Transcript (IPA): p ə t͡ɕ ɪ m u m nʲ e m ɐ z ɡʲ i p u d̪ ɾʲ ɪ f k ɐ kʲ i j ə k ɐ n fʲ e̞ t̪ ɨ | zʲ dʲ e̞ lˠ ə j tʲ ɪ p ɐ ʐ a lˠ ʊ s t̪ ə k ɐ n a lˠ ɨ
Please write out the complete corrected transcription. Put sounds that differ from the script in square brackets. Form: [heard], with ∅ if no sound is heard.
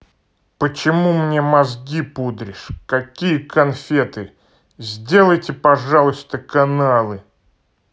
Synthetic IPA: p ə t͡ɕ ɪ m u m nʲ e m ɐ z ɡʲ i p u d̪ ɾʲ ɪ [ʂ] k ɐ kʲ i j ə k ɐ n fʲ e̞ t̪ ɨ | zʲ dʲ e̞ lˠ ə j tʲ ɪ p ɐ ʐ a lˠ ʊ s t̪ ə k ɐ n a lˠ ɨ